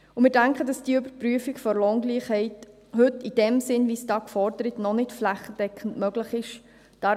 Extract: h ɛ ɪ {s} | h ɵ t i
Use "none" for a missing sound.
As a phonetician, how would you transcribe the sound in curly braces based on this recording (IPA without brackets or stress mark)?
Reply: t